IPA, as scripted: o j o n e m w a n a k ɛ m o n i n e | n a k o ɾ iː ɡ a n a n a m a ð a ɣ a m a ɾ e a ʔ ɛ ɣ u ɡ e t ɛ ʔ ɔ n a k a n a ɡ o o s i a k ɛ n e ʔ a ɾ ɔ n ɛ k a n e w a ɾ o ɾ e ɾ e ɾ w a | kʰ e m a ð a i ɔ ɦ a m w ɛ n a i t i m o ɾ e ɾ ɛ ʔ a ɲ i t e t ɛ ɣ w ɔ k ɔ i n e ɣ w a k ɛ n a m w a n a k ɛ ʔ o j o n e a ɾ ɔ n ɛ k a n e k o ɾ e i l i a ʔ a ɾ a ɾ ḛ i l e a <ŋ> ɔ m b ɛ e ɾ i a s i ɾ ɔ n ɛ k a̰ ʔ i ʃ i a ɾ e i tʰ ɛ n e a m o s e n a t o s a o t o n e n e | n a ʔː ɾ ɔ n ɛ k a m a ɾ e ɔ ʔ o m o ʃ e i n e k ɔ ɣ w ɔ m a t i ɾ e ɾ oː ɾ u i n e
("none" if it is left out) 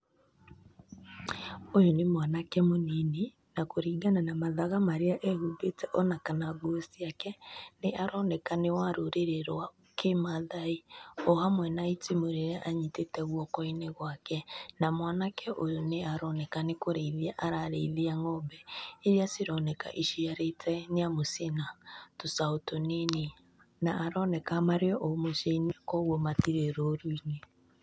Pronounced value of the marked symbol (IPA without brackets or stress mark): ŋ